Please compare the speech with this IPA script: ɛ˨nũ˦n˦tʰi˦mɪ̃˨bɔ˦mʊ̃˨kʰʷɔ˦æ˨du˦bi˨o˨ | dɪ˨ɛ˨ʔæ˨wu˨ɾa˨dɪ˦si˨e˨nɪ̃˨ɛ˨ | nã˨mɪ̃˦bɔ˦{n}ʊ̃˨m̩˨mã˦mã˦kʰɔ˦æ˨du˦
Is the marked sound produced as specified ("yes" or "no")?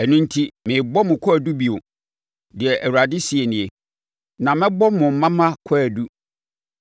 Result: no